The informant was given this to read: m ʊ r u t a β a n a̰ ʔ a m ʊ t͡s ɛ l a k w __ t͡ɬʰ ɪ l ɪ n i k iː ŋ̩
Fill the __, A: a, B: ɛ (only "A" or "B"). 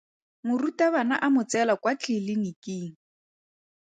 A